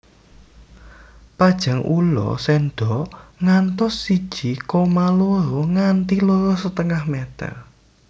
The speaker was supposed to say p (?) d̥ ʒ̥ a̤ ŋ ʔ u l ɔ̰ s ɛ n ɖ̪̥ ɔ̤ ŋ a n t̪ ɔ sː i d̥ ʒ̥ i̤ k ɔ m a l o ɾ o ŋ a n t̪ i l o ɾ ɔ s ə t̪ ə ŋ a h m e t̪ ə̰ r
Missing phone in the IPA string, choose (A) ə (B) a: B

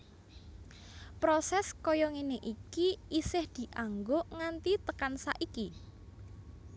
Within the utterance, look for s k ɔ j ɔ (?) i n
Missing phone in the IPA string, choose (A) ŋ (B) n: A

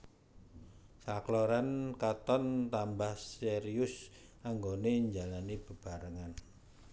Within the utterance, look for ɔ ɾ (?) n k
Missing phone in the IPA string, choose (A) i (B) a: B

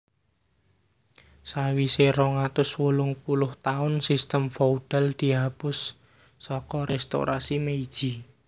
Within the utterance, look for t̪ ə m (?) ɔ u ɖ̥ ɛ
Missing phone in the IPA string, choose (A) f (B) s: A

